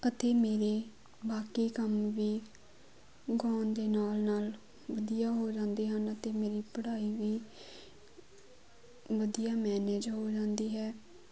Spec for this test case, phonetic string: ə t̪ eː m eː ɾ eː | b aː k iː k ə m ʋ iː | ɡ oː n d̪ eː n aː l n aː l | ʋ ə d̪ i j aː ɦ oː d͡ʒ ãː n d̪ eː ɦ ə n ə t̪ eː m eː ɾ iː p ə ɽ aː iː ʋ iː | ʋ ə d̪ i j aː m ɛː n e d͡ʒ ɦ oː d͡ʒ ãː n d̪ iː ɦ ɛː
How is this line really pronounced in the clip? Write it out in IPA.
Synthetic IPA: ə t̪ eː m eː ɾ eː | b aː k iː k ə m ʋ iː | ɡ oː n d̪ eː n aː l n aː l | ʋ ə d̪ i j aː ɦ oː d͡ʒ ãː n d̪ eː ɦ ə n ə t̪ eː m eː ɾ iː p ə ɽ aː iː ʋ iː | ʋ ə d̪ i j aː m ɛː n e d͡ʒ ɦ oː d͡ʒ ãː n d̪ iː ɦ ɛː